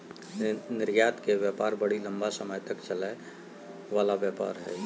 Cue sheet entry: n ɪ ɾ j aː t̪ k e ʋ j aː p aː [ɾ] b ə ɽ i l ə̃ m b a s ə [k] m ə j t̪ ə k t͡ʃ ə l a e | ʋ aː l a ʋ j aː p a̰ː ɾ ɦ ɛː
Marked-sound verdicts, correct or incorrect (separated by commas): correct, incorrect